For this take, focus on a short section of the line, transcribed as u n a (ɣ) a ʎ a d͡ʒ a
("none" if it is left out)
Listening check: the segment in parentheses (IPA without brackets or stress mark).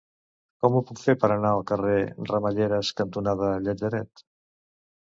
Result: ð